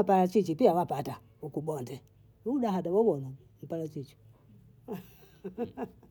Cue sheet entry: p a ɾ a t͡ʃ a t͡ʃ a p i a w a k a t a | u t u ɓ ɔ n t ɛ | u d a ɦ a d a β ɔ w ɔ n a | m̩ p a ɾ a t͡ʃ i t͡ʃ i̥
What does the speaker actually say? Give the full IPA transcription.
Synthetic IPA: p a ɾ a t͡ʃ i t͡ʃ i p i a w a p a t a | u k u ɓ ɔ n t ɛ | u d a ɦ a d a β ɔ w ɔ n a | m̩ p a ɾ a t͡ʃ i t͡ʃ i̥